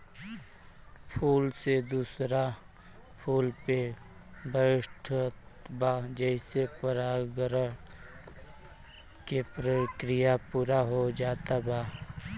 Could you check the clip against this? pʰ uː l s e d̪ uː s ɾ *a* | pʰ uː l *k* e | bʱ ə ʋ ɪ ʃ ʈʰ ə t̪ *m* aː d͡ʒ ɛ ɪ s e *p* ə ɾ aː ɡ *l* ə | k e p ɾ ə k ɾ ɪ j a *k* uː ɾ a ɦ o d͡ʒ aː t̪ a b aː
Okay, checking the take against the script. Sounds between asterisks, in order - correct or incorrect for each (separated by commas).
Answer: correct, incorrect, incorrect, correct, incorrect, incorrect